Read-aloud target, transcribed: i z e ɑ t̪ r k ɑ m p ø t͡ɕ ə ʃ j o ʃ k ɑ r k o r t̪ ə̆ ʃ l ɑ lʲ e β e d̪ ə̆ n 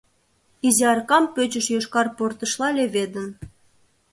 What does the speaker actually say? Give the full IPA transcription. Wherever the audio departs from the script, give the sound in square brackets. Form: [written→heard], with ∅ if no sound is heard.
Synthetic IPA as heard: i z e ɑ [t̪→∅] r k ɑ m p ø t͡ɕ ə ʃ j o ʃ k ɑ r [k→p] o r t̪ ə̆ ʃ l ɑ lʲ e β e d̪ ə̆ n